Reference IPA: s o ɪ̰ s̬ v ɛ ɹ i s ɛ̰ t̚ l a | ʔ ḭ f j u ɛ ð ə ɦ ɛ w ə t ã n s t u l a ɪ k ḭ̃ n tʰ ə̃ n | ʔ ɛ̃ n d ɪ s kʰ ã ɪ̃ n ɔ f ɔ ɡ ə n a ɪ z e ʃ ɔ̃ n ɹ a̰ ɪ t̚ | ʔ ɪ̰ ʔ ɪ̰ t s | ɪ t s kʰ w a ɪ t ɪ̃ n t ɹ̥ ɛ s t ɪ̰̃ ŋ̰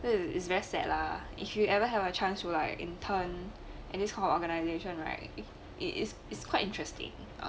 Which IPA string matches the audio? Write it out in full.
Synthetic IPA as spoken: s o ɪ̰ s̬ v ɛ ɹ i s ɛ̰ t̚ l a | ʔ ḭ f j u ɛ v ə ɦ ɛ v ə t͡ʃ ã n s t u l a ɪ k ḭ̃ n tʰ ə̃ n | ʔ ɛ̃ n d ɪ s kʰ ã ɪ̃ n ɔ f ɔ ɡ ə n a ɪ z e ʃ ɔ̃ n ɹ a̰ ɪ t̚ | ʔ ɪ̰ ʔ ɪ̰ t s | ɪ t s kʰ w a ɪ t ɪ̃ n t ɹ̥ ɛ s t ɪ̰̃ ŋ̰